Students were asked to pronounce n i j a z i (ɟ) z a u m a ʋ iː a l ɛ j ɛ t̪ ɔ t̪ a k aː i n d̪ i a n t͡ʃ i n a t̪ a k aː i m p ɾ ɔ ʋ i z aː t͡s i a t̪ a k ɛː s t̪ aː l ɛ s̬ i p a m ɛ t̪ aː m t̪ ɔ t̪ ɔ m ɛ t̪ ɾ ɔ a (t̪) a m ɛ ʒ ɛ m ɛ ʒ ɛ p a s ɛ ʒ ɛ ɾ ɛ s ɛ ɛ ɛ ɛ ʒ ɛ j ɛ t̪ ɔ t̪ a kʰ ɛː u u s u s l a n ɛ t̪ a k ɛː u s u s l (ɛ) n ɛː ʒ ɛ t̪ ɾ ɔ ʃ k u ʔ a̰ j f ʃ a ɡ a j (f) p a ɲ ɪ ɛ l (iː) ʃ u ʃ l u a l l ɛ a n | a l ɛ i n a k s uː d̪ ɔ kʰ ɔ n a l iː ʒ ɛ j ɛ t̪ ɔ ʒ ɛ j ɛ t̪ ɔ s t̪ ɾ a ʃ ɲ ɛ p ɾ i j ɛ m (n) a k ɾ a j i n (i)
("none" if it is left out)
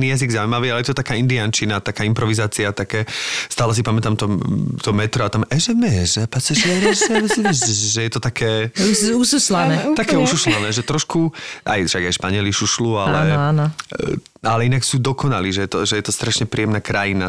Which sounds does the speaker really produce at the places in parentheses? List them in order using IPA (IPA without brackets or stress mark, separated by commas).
ɡ, t̪, a, ʃ, i, n, a